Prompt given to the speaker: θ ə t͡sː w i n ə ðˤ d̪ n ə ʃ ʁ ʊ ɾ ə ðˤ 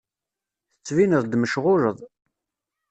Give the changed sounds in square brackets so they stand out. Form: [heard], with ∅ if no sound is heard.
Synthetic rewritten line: θ ə t͡sː [v] i n ə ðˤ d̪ [m] ə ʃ ʁ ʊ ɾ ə ðˤ